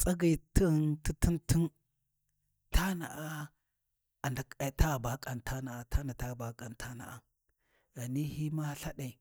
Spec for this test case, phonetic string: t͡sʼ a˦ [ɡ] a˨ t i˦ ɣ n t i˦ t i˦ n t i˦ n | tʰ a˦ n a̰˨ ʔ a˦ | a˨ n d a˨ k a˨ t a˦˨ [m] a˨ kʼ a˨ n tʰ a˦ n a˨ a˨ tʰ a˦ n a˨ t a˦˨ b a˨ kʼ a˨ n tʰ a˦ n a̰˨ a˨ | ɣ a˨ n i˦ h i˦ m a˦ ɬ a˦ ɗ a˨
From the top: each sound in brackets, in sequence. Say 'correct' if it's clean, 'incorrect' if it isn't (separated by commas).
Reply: correct, incorrect